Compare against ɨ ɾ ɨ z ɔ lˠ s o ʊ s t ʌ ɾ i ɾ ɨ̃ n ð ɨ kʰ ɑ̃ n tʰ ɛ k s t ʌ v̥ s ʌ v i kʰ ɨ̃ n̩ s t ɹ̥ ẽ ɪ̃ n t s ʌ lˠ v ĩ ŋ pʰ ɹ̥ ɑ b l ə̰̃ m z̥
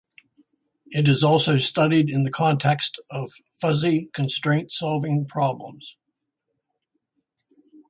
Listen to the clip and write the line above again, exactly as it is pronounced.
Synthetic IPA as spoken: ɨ ɾ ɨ z ɔ lˠ s o ʊ s t ʌ ɾ i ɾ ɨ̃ n ð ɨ kʰ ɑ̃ n tʰ ɛ k s t ʌ v̥ f ʌ z i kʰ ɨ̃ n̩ s t ɹ̥ ẽ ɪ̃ n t s ɑ lˠ v ɪ̃ ŋ pʰ ɹ̥ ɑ b l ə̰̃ m z̥

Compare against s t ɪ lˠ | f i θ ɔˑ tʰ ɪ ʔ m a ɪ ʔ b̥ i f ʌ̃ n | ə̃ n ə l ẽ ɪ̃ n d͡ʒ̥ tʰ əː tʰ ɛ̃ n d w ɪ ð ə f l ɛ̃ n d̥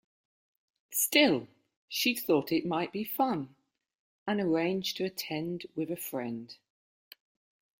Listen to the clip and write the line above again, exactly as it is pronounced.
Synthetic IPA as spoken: s t ɪ lˠ | ʃ i θ ɔˑ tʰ ɪ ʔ m a ɪ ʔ b̥ i f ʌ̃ n | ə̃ n ə ɹ ẽ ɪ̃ n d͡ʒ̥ tʰ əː tʰ ɛ̃ n d w ɪ ð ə f ɹ ɛ̃ n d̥

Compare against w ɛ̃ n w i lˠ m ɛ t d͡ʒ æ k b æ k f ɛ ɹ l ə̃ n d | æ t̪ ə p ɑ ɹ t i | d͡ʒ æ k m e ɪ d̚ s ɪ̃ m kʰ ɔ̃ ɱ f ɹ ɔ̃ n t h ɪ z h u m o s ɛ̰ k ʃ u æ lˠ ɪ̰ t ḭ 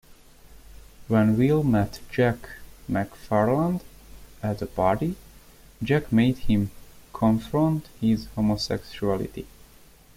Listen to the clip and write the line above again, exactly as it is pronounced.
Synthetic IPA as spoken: w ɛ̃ n w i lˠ m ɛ t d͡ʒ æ k m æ k f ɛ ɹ l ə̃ n d | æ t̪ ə p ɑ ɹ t i | d͡ʒ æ k m e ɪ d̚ h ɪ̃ m kʰ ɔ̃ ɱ f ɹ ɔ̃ n t h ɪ z h o m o s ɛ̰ k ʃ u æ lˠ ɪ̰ t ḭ

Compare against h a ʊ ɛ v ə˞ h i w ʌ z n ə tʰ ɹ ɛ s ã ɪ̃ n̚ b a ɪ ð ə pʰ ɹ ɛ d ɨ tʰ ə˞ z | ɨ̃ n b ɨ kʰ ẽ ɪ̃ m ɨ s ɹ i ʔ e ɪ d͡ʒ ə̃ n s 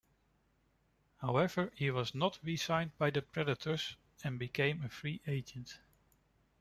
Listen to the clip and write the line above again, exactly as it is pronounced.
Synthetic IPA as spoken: h a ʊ ɛ v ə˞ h i w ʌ z n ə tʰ ɹ i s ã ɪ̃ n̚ b a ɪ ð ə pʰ ɹ ɛ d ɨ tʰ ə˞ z | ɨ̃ n b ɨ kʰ ẽ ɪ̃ m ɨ f ɹ i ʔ e ɪ d͡ʒ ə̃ n t

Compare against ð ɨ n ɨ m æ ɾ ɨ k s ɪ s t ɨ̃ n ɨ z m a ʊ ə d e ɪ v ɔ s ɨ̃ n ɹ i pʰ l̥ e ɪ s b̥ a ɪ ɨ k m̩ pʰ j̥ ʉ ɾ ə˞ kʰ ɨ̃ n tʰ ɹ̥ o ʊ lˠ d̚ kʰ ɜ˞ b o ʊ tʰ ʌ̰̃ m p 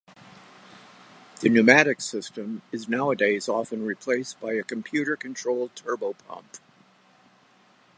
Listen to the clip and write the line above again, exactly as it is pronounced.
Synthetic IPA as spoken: ð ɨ n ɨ m æ ɾ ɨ k s ɪ s t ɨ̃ m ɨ z n a ʊ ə d e ɪ z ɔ f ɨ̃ n ɹ i pʰ l̥ e ɪ s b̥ a ɪ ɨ k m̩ pʰ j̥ ʉ ɾ ə˞ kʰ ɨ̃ n tʰ ɹ̥ o ʊ lˠ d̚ tʰ ɜ˞ b o ʊ pʰ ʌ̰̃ m p

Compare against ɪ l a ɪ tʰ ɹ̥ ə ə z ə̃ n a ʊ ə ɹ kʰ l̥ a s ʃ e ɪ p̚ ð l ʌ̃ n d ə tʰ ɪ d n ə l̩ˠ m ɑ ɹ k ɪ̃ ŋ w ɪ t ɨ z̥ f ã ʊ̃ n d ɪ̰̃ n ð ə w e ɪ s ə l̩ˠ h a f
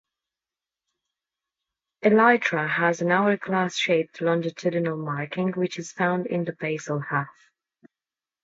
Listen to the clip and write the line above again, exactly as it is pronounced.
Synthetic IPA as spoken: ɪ l a ɪ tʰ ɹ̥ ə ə z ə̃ n a ʊ ə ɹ kʰ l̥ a s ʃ e ɪ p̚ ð l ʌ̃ n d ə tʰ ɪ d n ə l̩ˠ m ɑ ɹ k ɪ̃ ŋ w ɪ t͡ʃ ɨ z̥ f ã ʊ̃ n d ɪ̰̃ n ð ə b e ɪ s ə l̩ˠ h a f

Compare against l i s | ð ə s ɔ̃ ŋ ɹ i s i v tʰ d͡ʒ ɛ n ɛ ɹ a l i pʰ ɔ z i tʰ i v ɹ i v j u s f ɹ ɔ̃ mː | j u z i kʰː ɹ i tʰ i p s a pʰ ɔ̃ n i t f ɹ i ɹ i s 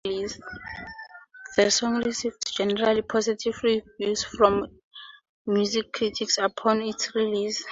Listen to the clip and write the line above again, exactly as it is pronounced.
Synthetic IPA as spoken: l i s | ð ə s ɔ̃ ŋ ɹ i s i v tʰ d͡ʒ ɛ n ɛ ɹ a l i pʰ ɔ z i tʰ i v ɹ i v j u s f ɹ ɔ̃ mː | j u z i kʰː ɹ i tʰ i k s a pʰ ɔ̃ n i t s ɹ i l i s

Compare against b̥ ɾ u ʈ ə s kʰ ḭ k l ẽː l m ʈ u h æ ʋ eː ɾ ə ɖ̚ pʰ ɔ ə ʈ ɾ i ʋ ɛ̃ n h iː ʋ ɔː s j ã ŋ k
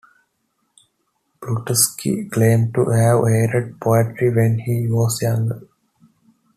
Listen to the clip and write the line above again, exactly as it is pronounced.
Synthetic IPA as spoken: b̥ ɾ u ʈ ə s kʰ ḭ k l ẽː m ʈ u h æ ʋ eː ɾ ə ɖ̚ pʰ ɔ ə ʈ ɾ i ʋ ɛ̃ n h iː ʋ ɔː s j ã ŋ ɡ

